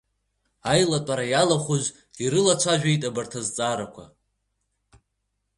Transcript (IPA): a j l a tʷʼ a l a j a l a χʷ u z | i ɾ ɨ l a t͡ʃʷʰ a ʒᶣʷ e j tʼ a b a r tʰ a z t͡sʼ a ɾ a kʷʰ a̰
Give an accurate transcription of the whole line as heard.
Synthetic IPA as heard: a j l a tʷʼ a ɾ a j a l a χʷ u z | i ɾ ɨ l a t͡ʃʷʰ a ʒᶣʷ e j tʼ a b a r tʰ a z t͡sʼ a ɾ a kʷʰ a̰